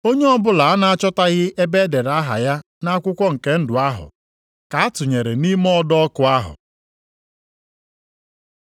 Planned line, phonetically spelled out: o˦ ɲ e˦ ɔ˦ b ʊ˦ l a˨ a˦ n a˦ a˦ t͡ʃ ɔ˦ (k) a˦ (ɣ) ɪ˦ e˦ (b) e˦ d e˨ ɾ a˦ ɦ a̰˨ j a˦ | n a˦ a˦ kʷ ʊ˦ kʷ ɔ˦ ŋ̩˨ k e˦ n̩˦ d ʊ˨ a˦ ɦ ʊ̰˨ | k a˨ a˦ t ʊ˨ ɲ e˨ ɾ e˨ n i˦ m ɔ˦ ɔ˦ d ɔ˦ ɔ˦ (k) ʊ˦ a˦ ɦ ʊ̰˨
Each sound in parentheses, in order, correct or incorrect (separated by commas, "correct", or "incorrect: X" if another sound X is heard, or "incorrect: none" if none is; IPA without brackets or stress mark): incorrect: t, correct, correct, correct